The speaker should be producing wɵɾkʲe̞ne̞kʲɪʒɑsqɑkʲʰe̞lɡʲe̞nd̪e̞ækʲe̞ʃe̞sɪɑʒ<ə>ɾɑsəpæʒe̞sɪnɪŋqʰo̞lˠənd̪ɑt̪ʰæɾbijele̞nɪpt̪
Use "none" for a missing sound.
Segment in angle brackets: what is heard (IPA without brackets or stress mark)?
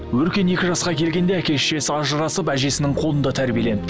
ə